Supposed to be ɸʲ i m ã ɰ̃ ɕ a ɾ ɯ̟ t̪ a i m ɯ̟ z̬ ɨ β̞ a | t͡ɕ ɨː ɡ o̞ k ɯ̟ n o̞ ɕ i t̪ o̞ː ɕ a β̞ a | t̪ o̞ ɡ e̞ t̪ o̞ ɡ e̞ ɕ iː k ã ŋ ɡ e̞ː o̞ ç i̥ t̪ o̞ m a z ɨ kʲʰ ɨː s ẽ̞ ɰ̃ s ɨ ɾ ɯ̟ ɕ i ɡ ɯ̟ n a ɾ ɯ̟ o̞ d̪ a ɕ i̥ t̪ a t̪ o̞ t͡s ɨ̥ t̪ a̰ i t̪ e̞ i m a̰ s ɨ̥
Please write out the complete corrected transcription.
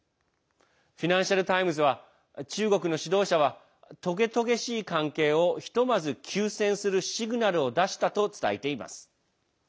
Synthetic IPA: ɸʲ i n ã ɰ̃ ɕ a ɾ ɯ̟ t̪ a i m ɯ̟ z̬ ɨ β̞ a | t͡ɕ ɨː ɡ o̞ k ɯ̟ n o̞ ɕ i d̪ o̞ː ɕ a β̞ a | t̪ o̞ ɡ e̞ t̪ o̞ ɡ e̞ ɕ iː k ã ŋ k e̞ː o̞ ç i̥ t̪ o̞ m a z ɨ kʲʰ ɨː s ẽ̞ ɰ̃ s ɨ ɾ ɯ̟ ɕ i ɡ ɯ̟ n a ɾ ɯ̟ o̞ d̪ a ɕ i̥ t̪ a t̪ o̞ t͡s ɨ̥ t̪ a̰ i t̪ e̞ i m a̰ s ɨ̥